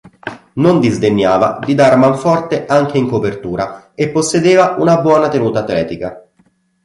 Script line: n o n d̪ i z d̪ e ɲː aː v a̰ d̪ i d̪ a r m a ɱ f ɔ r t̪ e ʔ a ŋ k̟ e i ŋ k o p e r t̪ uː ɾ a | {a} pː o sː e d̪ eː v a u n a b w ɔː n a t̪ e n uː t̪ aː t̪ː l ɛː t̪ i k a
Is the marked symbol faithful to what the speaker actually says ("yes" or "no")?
no